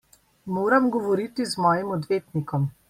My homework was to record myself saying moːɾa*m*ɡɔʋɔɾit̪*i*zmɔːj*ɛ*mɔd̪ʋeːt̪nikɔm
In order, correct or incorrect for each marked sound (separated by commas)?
correct, correct, incorrect